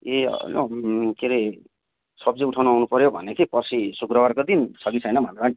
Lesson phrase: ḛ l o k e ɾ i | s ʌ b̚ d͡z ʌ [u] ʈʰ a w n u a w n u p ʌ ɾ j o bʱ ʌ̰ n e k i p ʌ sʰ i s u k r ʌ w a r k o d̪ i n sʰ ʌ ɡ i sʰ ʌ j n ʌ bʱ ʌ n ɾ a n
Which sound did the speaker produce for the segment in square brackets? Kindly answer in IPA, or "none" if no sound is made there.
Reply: u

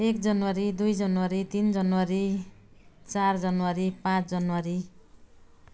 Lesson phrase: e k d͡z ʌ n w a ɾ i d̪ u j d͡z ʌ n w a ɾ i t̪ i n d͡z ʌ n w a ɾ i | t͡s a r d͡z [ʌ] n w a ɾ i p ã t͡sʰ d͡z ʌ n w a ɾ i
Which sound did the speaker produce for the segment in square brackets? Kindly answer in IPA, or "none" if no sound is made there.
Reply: ʌ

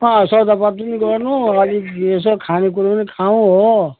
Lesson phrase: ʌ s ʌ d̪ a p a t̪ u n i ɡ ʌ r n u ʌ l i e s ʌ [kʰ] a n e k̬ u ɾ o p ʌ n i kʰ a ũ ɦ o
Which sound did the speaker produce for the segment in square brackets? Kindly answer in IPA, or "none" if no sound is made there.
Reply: kʰ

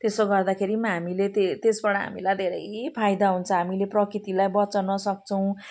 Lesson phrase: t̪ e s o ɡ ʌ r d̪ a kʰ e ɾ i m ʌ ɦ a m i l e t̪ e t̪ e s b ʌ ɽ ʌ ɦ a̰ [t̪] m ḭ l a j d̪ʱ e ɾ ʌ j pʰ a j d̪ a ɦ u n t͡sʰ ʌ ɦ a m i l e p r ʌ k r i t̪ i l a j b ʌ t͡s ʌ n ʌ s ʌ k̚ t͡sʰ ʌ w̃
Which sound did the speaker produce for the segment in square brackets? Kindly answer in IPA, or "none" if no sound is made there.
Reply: none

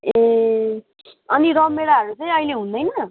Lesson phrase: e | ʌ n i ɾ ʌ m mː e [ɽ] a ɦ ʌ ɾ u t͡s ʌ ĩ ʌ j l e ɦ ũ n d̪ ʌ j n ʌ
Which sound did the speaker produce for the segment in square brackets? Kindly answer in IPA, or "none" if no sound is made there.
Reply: ɽ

